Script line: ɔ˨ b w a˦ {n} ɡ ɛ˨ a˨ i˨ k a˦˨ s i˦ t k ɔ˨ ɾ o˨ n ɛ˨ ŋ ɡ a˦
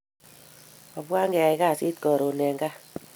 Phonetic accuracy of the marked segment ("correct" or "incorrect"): incorrect